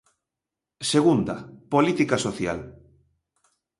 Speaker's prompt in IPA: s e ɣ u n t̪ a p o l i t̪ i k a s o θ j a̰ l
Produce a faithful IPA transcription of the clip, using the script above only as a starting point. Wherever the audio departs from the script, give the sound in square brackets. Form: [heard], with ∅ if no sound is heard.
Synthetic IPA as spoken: s e ɣ u n [d̪] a p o l i t̪ i k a s o θ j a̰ l